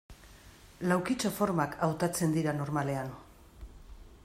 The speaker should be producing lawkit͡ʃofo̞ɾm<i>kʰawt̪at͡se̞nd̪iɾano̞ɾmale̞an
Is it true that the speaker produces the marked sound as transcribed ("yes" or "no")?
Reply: no